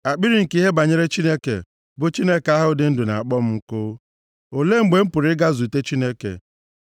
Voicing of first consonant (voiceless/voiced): voiceless